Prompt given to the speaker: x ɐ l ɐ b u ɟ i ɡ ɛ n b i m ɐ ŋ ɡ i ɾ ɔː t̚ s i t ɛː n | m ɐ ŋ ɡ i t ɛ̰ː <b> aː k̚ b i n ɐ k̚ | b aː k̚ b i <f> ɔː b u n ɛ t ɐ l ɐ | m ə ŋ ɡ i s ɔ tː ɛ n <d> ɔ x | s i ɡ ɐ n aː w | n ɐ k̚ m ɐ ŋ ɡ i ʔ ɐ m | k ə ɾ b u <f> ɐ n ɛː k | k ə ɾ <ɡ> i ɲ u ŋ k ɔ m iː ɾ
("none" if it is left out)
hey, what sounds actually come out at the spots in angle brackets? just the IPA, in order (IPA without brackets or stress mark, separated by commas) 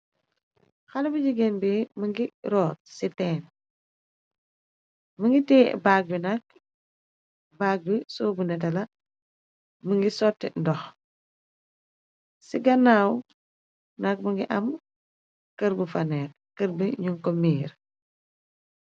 b, s, d, f, b